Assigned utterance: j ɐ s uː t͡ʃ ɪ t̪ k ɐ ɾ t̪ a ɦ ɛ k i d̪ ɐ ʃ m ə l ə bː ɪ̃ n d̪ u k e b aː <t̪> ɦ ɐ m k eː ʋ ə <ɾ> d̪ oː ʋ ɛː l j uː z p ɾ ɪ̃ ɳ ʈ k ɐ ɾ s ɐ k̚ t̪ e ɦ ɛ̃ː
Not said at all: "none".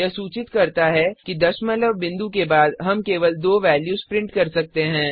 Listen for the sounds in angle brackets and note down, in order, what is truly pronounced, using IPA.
d̪, l

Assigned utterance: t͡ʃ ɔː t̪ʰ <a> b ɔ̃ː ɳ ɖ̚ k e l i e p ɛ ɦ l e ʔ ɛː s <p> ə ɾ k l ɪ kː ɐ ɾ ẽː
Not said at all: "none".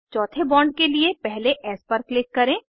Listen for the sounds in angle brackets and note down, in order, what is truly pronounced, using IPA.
e, p

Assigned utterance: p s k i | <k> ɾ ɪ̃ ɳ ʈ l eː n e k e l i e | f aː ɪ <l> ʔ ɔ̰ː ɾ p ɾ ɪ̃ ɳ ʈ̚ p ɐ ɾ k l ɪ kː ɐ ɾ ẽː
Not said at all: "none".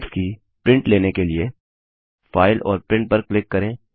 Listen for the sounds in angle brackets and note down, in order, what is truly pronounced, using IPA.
p, l

